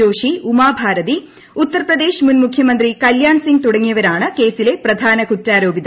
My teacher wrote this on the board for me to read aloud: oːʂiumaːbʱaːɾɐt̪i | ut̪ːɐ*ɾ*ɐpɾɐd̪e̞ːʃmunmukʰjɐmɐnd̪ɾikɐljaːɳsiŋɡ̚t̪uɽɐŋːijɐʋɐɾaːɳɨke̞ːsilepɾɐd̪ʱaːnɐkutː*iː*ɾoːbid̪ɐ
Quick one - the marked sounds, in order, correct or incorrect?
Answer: correct, incorrect: aː

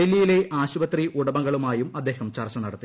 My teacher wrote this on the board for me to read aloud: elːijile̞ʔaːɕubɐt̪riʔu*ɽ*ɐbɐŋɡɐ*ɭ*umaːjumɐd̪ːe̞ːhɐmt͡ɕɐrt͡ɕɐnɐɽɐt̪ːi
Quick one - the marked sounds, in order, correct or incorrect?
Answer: correct, correct

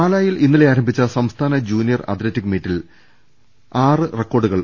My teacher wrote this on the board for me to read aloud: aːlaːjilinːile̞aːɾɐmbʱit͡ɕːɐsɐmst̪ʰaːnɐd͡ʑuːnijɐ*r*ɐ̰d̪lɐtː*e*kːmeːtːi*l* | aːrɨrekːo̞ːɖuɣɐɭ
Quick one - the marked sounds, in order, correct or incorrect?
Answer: correct, incorrect: i, correct

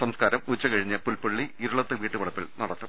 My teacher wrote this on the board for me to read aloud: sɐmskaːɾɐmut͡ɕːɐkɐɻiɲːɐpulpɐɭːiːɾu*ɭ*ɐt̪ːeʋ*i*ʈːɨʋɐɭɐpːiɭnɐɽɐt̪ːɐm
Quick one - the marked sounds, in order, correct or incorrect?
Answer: correct, incorrect: iː

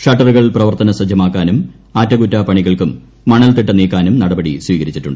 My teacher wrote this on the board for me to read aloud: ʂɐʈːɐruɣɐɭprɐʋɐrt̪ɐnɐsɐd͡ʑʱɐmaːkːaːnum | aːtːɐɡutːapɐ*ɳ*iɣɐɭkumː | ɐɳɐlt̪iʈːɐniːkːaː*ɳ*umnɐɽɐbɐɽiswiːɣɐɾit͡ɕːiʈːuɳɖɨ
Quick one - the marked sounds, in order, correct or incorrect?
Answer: correct, incorrect: n

